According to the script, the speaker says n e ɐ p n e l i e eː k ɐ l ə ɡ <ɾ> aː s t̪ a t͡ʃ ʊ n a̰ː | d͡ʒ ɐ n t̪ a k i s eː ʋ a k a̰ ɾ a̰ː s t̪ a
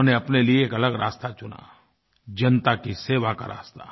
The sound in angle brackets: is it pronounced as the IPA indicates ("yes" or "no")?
yes